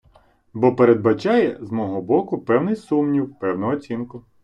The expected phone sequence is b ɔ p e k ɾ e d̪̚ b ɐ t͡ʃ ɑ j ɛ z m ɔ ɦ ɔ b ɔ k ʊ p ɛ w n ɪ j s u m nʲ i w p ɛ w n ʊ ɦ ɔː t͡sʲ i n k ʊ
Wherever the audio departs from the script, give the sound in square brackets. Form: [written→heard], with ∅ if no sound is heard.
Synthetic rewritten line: b ɔ p e [k→∅] ɾ e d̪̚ b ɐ t͡ʃ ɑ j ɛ z m ɔ ɦ ɔ b ɔ k ʊ p ɛ w n ɪ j s u m nʲ i w p ɛ w n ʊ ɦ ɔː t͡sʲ i n k ʊ